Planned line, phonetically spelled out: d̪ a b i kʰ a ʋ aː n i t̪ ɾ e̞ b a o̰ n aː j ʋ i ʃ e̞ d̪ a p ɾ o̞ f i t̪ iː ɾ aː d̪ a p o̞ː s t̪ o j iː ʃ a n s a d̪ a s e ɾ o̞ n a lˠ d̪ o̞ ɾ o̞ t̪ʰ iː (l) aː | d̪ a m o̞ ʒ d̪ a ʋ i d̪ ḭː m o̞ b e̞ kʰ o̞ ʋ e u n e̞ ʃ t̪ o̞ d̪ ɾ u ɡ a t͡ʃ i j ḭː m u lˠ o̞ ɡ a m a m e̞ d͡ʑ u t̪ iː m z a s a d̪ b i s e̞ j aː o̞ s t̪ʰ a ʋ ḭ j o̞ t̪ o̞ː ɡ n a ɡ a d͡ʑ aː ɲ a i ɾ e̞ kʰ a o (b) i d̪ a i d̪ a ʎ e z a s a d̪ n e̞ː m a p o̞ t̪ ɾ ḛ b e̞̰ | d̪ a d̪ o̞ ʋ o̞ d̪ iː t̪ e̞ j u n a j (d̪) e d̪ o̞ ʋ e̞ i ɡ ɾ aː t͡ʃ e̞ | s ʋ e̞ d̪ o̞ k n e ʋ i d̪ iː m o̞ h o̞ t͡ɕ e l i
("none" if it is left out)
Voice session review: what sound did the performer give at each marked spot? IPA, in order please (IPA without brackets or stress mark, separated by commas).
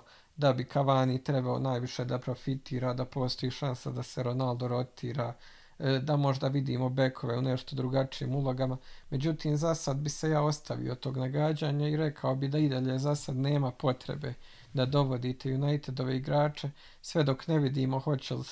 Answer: ɾ, b, t̪